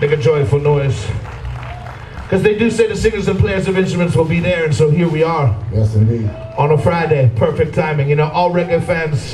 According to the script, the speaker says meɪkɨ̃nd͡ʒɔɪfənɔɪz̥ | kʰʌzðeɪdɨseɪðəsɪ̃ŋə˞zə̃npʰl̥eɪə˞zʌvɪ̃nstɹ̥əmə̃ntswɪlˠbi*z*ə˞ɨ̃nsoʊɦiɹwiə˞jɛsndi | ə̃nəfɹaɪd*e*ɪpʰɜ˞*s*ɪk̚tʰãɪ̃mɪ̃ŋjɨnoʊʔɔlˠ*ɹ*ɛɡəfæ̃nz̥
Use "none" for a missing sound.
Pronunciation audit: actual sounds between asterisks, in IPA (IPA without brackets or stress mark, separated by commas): ð, e, f, ɹ